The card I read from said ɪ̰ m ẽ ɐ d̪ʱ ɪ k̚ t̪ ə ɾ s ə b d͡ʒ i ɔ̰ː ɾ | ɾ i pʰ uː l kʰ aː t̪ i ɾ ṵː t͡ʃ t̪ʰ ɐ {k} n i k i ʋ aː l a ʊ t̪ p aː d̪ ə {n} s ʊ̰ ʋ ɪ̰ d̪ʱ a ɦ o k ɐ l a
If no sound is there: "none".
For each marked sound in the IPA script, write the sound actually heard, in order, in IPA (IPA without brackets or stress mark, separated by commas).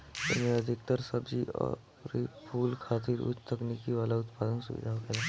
k, n